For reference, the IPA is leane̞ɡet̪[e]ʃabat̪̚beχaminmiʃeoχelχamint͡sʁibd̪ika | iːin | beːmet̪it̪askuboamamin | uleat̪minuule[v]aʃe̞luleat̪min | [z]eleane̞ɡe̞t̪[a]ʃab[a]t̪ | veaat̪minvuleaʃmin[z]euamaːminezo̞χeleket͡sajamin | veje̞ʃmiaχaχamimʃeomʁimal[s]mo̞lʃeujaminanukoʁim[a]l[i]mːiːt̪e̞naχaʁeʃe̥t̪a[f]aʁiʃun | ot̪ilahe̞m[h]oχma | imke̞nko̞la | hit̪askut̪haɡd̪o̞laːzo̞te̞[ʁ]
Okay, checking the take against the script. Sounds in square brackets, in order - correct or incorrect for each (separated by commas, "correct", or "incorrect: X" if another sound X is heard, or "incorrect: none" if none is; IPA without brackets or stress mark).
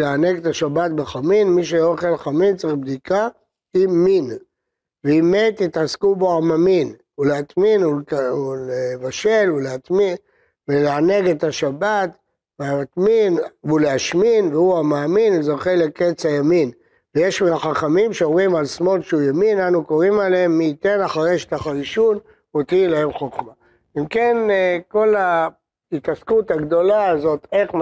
incorrect: a, correct, incorrect: v, correct, correct, incorrect: v, correct, correct, incorrect: e, incorrect: χ, incorrect: χ, incorrect: χ